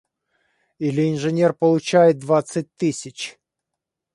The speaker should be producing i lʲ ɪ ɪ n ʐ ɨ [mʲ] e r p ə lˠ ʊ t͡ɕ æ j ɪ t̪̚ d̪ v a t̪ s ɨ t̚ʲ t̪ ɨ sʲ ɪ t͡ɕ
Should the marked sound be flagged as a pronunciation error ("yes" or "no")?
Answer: yes